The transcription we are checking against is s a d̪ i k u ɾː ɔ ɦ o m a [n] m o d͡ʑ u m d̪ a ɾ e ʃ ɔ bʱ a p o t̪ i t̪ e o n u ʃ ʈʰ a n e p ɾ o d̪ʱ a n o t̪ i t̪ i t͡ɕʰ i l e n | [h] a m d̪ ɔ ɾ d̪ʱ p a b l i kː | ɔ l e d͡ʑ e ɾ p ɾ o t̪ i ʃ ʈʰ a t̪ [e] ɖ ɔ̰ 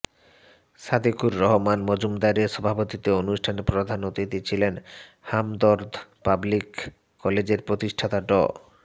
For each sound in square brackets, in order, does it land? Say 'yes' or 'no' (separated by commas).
yes, yes, no